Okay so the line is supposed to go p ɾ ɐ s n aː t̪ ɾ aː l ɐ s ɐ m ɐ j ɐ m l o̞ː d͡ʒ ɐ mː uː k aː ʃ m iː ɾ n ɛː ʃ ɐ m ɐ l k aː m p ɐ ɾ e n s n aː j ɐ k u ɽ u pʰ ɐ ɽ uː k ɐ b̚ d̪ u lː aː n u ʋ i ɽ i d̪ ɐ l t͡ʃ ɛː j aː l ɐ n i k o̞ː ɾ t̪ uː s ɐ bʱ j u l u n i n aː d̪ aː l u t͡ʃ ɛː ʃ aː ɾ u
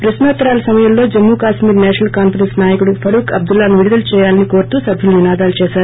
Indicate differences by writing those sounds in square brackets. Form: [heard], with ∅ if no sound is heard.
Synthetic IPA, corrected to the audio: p ɾ ɐ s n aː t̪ ɾ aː l ɐ s ɐ m ɐ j ɐ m l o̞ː d͡ʒ ɐ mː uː k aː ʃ m iː ɾ n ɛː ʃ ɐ [n] ɐ l k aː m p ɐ ɾ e n s n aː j ɐ k u ɽ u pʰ ɐ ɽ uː k ɐ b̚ d̪ u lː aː n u ʋ i ɽ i d̪ ɐ l t͡ʃ ɛː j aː l ɐ n i k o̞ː ɾ t̪ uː s ɐ bʱ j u l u n i n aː d̪ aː l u t͡ʃ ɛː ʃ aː ɾ u